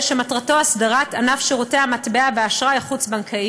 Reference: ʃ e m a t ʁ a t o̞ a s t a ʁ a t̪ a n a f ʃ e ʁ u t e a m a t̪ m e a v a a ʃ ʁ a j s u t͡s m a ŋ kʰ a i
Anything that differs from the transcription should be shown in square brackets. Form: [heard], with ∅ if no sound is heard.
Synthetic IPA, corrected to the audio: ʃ e m a t ʁ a t o̞ a s [d] a ʁ a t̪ a n a f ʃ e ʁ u t e a m a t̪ [b] e a v [e] a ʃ ʁ a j [χ] u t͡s [b] a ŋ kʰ a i